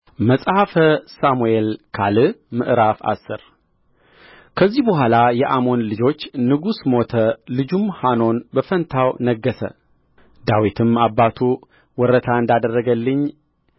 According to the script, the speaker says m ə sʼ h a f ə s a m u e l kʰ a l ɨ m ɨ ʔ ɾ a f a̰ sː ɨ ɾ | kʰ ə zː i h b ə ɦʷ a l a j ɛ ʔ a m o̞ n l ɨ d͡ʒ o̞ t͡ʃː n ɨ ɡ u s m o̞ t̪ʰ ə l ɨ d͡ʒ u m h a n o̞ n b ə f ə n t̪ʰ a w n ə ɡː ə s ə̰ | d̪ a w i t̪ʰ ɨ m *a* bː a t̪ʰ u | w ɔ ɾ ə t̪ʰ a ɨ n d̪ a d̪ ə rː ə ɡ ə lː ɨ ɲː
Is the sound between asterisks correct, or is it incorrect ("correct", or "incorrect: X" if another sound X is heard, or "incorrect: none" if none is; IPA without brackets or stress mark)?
correct